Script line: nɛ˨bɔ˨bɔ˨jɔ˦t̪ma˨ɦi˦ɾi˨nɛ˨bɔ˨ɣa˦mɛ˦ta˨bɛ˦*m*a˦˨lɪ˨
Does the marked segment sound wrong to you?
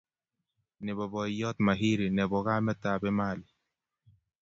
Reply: no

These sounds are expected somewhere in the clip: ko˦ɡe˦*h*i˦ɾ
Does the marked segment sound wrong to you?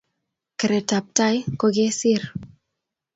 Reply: yes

